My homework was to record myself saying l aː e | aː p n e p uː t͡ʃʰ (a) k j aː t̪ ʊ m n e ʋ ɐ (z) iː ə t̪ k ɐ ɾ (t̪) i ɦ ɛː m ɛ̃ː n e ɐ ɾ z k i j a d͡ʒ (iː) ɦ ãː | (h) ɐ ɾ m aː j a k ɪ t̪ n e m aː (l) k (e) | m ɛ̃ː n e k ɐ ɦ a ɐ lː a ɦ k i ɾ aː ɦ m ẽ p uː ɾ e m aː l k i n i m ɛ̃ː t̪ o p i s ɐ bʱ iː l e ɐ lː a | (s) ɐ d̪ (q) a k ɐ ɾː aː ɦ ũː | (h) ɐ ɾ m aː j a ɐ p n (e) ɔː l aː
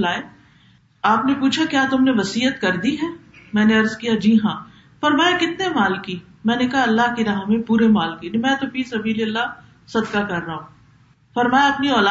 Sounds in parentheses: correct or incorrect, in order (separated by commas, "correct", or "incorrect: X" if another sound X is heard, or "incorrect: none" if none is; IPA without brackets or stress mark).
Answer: correct, incorrect: s, incorrect: d̪, correct, incorrect: f, correct, incorrect: i, correct, incorrect: k, incorrect: f, incorrect: i